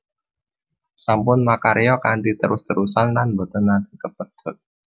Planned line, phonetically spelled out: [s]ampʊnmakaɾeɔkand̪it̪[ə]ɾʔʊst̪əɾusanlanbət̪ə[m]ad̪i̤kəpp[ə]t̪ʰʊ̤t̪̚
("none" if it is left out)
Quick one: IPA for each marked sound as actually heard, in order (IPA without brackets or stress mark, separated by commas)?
s, ə, n, ə